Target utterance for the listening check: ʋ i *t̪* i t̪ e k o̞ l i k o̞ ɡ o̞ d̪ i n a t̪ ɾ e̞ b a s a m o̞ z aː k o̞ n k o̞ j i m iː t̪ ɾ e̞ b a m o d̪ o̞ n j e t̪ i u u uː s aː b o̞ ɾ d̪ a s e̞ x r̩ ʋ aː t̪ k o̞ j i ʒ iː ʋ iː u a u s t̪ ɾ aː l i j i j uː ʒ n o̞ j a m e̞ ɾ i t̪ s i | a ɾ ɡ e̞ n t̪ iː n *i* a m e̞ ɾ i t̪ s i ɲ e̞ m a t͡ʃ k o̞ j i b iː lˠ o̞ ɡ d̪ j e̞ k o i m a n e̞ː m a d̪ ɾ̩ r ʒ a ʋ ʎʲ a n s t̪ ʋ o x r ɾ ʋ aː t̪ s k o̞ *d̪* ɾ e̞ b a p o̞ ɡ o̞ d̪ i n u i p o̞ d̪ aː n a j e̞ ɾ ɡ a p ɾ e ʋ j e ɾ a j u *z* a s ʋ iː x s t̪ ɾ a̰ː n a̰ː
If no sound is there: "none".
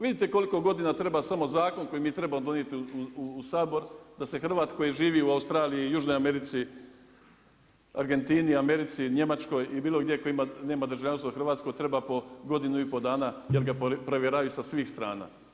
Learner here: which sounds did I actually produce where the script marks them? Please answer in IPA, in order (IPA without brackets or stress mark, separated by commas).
d̪, i, t̪, s